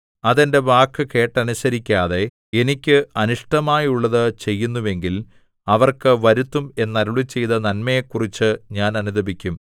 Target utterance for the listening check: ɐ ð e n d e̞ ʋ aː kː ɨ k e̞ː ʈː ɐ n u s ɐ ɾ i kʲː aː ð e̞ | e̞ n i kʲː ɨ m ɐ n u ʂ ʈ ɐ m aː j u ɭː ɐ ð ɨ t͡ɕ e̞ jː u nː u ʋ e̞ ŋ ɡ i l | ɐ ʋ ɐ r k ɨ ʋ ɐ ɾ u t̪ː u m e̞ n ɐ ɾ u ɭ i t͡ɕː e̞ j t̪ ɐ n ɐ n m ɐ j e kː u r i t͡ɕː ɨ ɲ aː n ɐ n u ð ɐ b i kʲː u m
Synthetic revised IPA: ɐ ð e n d e̞ ʋ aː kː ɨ k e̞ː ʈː ɐ n u s ɐ ɾ i kʲː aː ð e̞ | e̞ n i kʲː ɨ ɐ n u ʂ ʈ ɐ m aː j u ɭː ɐ ð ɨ t͡ɕ e̞ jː u nː u ʋ e̞ ŋ ɡ i l | ɐ ʋ ɐ r k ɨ ʋ ɐ ɾ u t̪ː u m e̞ nː ɐ ɾ u ɭ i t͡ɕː e̞ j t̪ ɐ n ɐ n m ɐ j e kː u r i t͡ɕː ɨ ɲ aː n ɐ n u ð ɐ b i kʲː u m